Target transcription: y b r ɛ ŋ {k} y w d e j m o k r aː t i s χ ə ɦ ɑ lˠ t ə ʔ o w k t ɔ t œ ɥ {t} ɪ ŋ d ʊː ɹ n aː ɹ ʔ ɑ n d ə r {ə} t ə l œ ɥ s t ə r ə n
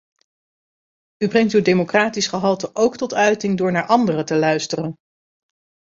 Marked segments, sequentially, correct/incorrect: incorrect, correct, correct

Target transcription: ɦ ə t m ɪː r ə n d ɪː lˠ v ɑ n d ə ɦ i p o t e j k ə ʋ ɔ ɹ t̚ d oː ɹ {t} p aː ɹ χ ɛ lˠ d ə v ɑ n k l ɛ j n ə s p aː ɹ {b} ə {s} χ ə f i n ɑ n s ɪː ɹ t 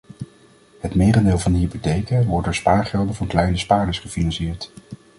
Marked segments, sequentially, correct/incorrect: incorrect, incorrect, correct

